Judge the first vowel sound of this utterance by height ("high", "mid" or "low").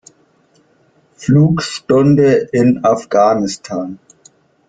high